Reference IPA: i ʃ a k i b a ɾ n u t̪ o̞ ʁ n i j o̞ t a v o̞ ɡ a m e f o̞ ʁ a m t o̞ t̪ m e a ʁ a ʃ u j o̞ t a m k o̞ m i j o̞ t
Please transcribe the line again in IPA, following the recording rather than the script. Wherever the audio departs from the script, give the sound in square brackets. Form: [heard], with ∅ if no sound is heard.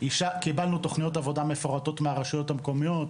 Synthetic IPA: i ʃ a k i b a [l] n u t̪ o̞ [χ] n i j o̞ t a v o̞ [d] a m e f o̞ ʁ a [∅] t o̞ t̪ m e a ʁ a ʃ u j o̞ t a m k o̞ m i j o̞ t

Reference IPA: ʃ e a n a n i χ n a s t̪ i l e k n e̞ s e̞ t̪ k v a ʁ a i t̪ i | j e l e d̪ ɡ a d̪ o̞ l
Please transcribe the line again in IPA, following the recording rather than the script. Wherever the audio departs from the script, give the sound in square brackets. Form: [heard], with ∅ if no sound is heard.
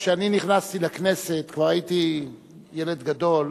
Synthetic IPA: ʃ e a n [i] n i χ n a s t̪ i l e k n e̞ s e̞ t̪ k v a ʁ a i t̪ i | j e l e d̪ ɡ a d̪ o̞ l

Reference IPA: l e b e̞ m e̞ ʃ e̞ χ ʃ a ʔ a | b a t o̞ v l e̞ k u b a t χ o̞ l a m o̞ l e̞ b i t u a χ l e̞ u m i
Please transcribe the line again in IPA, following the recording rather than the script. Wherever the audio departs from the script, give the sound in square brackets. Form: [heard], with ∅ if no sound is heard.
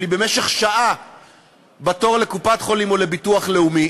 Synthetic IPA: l [i] b e̞ m e̞ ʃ e̞ χ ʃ a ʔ a | b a t o̞ [ʁ] l e̞ k u [p] a t χ o̞ l [i] m o̞ l e̞ b i t u a χ l e̞ u m i

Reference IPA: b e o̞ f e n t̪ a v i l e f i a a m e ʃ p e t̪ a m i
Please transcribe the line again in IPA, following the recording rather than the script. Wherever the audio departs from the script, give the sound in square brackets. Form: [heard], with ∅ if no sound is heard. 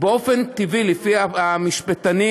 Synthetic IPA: b e o̞ f e n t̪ [i] v i l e f i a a m [i] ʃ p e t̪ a [n] i

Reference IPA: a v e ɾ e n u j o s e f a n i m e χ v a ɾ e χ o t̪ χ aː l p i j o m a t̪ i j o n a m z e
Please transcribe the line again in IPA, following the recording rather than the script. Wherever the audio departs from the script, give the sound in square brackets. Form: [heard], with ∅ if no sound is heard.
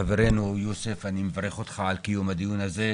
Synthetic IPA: a v e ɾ e n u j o s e f a n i m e [∅] v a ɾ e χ o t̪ χ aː l [k] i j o m a [d̪] i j [u] n a [∅] z e

